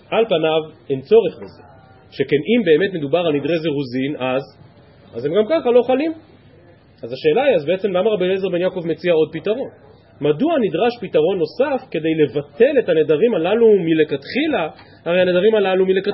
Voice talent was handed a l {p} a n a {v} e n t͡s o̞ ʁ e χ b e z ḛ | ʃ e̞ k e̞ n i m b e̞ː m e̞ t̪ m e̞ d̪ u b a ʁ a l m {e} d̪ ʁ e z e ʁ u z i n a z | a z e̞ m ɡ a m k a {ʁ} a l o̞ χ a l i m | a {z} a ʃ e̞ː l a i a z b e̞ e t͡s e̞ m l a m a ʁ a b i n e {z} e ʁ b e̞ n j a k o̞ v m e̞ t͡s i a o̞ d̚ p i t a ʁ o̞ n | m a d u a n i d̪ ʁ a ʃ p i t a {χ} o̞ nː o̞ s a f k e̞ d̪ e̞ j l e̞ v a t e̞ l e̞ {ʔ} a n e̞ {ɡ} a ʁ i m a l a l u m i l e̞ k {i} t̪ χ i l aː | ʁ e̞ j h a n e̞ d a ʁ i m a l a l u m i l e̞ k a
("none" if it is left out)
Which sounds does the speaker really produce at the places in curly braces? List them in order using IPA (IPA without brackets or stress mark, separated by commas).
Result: p, v, i, χ, z, z, ʁ, t, d, a